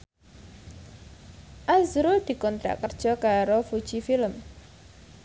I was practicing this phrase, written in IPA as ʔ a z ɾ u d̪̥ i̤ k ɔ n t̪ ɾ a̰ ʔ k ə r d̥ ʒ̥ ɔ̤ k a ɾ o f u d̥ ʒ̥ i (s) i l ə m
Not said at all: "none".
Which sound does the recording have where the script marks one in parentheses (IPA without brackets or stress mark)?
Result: f